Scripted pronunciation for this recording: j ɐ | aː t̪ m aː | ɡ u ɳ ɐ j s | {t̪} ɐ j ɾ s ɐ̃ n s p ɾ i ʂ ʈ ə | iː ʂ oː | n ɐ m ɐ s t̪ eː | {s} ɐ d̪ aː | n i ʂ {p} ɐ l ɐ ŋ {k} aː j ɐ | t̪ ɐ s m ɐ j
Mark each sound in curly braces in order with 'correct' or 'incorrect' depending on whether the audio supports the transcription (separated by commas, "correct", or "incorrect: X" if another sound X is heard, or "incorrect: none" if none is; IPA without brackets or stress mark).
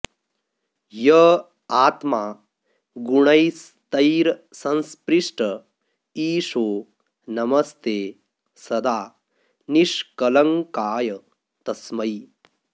correct, correct, incorrect: k, correct